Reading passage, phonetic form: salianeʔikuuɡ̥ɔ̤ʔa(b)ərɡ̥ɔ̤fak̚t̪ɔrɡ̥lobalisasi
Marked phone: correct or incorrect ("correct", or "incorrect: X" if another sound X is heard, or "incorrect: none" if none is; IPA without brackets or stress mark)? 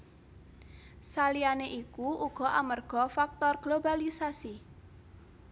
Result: incorrect: m